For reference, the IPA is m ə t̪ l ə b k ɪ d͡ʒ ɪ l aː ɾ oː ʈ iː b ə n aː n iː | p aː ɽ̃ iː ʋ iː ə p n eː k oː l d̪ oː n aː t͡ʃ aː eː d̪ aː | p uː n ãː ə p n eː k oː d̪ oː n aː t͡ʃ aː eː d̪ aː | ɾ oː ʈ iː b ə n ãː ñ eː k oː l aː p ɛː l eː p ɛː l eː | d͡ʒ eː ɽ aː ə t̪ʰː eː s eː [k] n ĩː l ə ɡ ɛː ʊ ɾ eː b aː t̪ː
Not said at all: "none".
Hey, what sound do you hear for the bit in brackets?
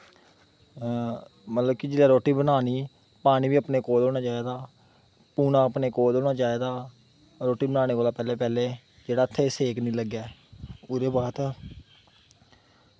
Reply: k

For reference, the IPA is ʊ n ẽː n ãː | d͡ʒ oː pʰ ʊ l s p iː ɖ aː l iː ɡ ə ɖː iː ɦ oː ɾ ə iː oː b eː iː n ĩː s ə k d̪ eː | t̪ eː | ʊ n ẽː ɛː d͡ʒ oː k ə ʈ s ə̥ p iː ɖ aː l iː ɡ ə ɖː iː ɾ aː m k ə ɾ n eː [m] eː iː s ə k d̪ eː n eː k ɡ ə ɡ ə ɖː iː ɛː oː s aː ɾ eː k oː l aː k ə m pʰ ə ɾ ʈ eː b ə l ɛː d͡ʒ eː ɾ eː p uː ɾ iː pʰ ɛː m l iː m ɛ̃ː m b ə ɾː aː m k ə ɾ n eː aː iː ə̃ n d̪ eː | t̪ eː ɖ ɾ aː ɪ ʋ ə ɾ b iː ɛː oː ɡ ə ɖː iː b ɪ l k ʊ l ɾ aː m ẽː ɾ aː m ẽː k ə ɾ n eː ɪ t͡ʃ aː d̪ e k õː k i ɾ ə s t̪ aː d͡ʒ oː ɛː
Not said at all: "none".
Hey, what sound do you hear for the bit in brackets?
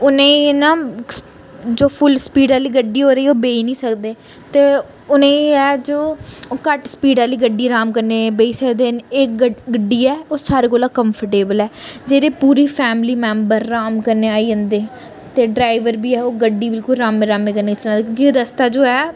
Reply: b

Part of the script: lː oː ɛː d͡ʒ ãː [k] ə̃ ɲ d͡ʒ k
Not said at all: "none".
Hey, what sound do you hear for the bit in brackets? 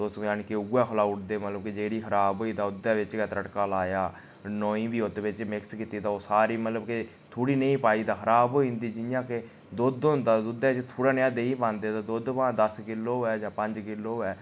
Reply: p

